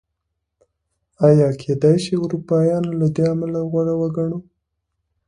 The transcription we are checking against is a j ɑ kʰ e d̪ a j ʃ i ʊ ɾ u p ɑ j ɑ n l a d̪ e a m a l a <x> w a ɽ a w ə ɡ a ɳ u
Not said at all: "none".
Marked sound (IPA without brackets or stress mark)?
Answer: ɣ